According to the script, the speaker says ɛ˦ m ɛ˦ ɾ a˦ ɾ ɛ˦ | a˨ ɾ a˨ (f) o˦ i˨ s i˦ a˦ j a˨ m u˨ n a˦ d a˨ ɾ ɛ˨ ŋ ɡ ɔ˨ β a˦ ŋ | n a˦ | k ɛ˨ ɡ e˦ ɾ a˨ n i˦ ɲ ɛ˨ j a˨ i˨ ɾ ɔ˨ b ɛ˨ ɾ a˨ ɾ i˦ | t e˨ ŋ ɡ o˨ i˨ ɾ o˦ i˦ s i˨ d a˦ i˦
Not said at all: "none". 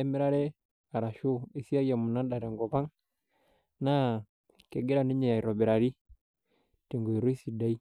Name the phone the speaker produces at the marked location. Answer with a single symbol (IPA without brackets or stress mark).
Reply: ʃ